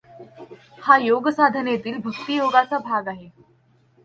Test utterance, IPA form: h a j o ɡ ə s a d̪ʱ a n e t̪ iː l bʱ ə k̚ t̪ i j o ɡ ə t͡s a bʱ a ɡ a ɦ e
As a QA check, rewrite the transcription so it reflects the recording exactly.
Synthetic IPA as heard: h a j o ɡ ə s a d̪ʱ ə n e t̪ iː l bʱ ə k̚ t̪ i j o ɡ a t͡s a bʱ a ɡ a ɦ e

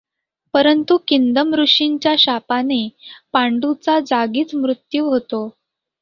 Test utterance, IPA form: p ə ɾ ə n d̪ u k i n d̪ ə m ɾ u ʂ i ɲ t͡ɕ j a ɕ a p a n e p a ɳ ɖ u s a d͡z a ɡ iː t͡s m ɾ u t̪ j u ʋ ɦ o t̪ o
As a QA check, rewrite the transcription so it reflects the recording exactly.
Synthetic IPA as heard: p ə ɾ ə n t̪ u k i n d̪ ə m ɾ u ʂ i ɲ t͡ɕ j a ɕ a p a n e p a ɳ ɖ u t͡s a d͡z a ɡ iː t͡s m ɾ u t̪ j u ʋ ɦ o t̪ o

